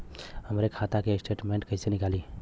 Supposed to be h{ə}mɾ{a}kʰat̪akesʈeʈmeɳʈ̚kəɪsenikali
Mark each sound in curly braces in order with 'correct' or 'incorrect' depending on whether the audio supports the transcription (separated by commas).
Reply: correct, incorrect